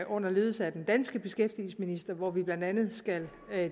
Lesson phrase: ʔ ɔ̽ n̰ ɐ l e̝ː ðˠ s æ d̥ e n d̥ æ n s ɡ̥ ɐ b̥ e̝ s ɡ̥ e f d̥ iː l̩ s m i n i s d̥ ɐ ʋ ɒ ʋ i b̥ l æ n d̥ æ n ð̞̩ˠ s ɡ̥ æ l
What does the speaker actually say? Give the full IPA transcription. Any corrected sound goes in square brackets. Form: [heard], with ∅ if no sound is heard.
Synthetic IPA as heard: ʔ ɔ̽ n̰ ɐ l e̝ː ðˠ s æ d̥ e n d̥ æ n s ɡ̥ [ə] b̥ e̝ s ɡ̥ e f d̥ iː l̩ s m i n i s d̥ ɐ ʋ ɒ ʋ i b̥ l æ n d̥ æ n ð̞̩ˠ s ɡ̥ æ l